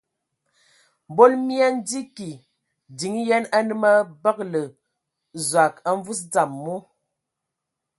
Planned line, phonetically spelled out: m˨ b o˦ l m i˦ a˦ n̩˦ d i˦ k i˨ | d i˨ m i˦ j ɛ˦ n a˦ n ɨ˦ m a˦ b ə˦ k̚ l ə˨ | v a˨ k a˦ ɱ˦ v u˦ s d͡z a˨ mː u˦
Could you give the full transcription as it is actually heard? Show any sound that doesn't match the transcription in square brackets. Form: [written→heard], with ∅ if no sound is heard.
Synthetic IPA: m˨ b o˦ l m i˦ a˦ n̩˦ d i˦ k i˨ | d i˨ [m→ŋ] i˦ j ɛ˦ n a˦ n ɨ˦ m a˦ b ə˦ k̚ l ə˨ | [v→z] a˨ k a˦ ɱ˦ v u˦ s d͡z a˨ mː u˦